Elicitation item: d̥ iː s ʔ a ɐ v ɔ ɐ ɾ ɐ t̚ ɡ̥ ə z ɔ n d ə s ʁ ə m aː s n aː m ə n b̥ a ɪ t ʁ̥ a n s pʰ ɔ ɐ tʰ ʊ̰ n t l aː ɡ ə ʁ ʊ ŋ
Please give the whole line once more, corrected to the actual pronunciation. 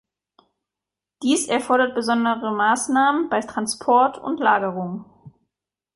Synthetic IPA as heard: d̥ iː s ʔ ɛ ɐ f ɔ ɐ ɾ ɐ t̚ b̥ ə z ɔ n d ə ʁ ə m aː s n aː m ə n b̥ a ɪ t ʁ̥ a n s pʰ ɔ ɐ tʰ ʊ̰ n t l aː ɡ ə ʁ ʊ ŋ